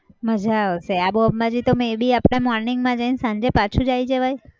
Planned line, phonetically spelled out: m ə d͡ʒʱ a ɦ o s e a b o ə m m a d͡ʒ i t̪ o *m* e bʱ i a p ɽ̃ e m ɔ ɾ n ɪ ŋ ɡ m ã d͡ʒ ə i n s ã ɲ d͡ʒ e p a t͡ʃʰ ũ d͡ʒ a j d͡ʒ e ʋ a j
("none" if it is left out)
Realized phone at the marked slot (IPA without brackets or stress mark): m